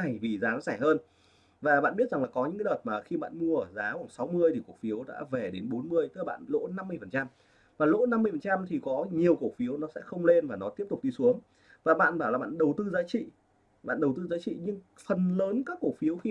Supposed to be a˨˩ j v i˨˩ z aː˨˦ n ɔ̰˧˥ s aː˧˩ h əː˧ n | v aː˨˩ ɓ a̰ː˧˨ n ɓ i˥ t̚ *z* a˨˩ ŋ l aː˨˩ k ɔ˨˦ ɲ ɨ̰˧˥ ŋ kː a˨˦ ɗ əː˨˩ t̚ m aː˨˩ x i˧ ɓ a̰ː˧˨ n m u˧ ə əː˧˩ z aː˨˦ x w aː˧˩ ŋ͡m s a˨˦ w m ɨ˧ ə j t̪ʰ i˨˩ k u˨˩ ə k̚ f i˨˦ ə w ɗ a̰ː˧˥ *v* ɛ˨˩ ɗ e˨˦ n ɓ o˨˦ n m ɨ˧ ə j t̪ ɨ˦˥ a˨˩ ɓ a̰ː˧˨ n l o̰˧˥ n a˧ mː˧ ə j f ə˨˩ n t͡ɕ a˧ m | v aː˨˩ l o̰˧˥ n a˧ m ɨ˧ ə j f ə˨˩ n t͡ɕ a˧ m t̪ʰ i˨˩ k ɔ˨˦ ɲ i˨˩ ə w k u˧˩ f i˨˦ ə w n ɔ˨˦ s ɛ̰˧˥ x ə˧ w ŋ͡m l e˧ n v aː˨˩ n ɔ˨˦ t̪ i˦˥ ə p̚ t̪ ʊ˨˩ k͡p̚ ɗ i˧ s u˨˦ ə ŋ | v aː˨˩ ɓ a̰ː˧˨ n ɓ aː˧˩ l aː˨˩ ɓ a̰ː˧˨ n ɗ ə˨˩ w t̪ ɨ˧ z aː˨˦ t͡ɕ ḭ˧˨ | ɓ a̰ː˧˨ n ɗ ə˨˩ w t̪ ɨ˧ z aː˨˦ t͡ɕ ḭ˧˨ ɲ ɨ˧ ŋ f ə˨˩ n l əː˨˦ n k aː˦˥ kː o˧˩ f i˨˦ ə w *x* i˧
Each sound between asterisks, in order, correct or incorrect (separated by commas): correct, correct, correct